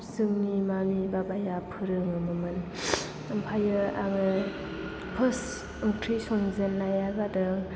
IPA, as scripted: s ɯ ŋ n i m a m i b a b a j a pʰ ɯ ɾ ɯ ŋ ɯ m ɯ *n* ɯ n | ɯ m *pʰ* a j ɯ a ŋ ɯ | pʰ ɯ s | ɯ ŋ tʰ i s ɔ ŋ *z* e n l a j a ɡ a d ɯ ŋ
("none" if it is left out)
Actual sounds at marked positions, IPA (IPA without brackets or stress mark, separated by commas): m, pʰ, z